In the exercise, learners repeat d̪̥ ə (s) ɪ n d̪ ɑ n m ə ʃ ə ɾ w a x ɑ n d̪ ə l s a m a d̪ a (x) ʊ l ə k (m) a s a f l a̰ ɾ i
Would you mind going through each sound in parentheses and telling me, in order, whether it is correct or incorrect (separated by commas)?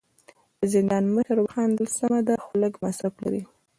incorrect, correct, correct